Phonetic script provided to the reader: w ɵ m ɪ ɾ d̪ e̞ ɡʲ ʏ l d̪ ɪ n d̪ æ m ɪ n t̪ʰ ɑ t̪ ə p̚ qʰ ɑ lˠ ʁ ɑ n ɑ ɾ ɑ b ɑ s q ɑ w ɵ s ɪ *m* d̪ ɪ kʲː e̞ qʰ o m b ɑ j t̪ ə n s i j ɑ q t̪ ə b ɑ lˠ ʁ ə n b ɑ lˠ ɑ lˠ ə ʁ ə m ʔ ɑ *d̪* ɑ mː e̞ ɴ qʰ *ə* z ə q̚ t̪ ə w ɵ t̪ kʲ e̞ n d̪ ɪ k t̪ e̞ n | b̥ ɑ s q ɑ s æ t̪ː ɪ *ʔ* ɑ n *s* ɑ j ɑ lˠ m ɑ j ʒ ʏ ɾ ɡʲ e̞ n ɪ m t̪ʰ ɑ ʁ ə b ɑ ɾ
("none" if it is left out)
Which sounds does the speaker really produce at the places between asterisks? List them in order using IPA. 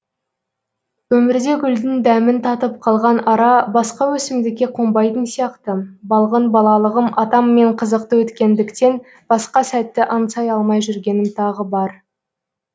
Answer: m, t̪, ə, ʔ, s

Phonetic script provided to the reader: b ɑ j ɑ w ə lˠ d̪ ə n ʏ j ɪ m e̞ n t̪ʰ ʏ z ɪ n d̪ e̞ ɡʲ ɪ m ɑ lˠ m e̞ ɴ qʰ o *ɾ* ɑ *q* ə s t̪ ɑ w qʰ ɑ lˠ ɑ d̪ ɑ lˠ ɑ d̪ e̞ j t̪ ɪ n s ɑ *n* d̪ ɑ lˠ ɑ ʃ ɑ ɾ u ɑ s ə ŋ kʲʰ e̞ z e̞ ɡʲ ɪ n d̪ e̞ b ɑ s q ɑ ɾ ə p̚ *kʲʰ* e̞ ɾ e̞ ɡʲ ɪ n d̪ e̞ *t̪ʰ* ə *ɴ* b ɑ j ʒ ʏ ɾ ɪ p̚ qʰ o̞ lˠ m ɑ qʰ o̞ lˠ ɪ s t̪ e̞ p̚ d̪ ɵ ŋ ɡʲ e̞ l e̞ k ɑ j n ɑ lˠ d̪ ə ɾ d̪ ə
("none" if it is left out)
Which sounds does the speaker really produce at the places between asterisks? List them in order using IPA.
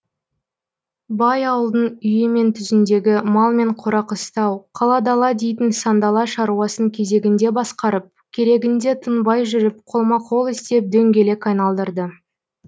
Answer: ɾ, q, n, kʲʰ, t̪ʰ, n

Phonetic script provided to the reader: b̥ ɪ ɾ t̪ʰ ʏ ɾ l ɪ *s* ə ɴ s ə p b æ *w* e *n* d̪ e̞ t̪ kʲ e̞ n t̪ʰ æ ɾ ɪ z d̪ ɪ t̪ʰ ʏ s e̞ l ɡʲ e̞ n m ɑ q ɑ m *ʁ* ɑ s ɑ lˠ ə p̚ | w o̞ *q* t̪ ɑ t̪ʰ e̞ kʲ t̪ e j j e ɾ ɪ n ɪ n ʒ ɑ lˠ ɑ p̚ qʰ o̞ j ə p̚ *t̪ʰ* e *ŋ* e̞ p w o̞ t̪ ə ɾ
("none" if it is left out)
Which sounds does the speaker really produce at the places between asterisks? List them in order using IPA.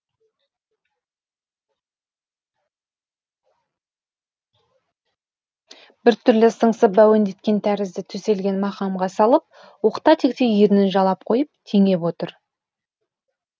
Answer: s, w, n, ʁ, q, t̪ʰ, ŋ

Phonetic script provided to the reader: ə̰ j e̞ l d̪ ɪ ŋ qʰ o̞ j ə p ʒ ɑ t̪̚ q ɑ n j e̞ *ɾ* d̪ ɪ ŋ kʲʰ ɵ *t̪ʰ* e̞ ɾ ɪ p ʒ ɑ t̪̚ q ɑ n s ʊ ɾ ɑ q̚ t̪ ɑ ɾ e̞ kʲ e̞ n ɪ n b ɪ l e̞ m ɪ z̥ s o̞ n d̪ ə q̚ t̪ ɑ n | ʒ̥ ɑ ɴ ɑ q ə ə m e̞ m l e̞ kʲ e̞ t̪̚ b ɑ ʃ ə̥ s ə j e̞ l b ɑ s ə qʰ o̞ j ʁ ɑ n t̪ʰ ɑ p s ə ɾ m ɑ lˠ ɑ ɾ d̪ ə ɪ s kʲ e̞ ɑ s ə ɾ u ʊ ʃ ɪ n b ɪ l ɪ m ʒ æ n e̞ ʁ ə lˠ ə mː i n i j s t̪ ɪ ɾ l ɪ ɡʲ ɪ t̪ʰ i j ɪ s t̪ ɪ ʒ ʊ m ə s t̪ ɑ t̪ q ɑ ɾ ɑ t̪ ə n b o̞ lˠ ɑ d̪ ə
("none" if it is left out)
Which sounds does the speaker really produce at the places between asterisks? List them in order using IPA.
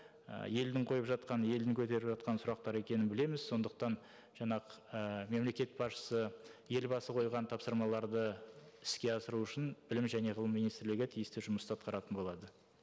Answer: l, t̪

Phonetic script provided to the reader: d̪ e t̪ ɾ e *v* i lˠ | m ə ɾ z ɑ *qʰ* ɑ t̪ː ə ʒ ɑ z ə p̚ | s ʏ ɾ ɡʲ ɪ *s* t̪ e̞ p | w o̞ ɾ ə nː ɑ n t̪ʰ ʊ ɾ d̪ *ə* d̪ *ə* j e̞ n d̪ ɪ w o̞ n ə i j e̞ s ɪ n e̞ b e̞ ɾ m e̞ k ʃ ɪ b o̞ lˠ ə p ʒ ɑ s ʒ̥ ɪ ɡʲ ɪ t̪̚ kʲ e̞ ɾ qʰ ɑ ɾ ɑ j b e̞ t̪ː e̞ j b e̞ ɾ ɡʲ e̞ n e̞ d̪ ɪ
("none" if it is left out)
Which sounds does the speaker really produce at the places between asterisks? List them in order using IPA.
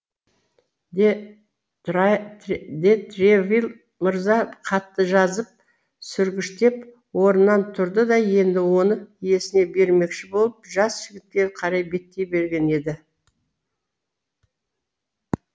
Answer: v, qʰ, ʃ, ə, ɑ

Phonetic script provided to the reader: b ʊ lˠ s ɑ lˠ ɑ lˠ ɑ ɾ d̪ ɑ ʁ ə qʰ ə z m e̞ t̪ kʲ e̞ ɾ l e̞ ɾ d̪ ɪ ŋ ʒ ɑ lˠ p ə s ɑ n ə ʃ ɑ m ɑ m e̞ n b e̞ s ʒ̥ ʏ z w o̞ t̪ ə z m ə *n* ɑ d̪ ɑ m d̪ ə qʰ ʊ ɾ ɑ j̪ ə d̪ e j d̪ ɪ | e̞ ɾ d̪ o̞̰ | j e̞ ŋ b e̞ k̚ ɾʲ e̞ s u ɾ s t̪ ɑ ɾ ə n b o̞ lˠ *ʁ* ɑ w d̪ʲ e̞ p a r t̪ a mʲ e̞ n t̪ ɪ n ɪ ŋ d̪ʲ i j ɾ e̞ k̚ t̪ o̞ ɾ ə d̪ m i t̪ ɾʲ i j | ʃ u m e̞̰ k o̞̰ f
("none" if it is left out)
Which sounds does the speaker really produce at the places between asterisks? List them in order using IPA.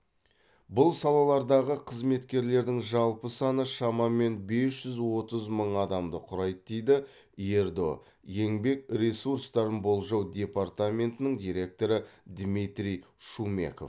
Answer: ɴ, ʒ

